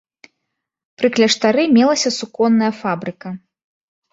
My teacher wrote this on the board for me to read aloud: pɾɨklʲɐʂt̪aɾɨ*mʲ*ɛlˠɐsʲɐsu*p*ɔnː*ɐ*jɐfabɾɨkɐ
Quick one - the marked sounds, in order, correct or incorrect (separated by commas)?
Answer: correct, incorrect, correct